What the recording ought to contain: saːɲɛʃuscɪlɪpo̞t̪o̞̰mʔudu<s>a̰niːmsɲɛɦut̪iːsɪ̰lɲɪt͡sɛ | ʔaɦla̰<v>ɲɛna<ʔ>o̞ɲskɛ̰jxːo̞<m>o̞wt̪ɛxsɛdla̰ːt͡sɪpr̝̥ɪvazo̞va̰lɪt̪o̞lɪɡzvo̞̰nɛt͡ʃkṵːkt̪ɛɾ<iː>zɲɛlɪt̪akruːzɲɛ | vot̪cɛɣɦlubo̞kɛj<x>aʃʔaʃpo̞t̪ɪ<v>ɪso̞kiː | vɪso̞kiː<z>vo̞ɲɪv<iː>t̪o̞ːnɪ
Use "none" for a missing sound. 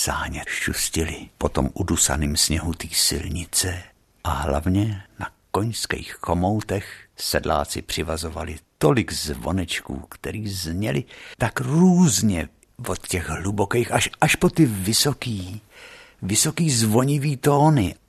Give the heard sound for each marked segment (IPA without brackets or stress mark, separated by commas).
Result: s, v, k, m, iː, x, v, z, iː